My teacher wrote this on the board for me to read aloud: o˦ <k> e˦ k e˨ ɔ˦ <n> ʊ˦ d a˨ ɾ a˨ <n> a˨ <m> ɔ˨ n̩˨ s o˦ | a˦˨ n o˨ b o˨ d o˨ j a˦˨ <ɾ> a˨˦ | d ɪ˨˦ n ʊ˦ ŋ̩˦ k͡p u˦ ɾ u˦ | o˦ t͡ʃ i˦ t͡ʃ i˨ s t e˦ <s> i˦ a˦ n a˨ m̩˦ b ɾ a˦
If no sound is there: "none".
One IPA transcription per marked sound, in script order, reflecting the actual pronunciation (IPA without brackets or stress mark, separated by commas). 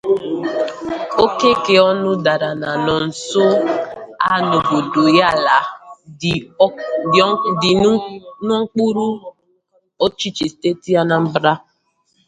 k, n, n, n, l, t